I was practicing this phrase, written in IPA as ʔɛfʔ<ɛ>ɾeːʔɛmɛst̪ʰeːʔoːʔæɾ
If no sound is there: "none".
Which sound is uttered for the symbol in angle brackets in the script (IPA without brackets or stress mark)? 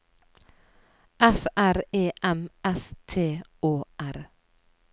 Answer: æ